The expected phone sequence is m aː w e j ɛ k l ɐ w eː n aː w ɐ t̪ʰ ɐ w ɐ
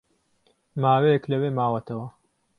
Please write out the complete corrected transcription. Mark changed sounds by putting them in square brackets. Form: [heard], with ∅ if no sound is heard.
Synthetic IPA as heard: m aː w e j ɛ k l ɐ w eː [m] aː w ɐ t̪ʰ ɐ w ɐ